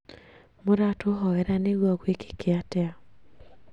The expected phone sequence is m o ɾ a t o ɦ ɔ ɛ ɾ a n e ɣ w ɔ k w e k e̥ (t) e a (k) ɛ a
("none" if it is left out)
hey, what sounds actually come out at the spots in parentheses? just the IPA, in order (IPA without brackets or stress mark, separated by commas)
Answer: k, t